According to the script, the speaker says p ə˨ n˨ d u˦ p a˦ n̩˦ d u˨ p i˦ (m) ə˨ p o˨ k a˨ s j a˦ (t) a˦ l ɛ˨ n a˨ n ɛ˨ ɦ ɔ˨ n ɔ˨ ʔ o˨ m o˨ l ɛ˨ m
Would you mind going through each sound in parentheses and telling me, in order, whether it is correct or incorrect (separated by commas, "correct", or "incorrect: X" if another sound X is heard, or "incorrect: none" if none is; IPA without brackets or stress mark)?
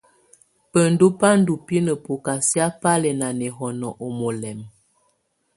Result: incorrect: n, incorrect: p